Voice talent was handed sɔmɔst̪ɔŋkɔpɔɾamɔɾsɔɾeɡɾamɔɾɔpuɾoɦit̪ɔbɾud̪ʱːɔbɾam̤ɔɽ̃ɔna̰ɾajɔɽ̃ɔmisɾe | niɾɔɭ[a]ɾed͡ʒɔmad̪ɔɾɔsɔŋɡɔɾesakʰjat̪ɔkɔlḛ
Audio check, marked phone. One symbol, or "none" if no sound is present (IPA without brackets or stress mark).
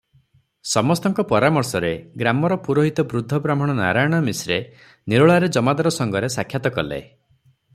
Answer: a